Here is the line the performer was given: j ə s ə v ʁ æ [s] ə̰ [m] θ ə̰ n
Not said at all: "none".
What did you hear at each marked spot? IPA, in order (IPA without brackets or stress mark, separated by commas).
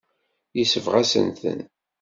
s, n